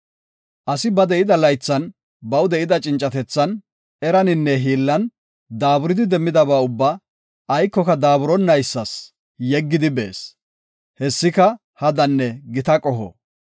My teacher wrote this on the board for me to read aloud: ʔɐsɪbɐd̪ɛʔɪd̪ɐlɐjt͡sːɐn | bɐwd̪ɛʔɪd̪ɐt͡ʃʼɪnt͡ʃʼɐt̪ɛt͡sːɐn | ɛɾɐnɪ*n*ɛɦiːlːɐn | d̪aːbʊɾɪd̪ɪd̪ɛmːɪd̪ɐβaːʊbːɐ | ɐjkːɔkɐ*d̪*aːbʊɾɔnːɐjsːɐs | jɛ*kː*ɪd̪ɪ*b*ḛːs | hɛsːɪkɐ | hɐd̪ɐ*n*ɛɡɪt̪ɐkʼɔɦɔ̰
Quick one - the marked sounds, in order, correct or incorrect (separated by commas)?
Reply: incorrect, correct, incorrect, correct, incorrect